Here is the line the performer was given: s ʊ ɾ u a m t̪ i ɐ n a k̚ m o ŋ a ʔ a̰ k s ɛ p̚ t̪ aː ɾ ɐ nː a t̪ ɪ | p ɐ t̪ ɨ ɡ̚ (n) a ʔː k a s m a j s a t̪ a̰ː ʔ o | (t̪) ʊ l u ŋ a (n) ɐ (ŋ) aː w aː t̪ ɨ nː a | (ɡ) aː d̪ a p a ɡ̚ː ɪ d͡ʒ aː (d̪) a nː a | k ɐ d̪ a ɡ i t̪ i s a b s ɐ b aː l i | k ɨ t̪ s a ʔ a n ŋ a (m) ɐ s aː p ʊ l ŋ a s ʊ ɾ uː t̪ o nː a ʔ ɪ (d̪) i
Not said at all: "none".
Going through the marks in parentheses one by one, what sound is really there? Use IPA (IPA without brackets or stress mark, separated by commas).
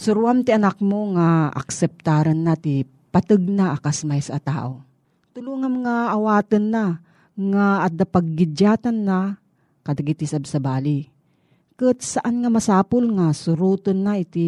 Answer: n, t̪, m, ŋ, ŋ, t̪, m, t̪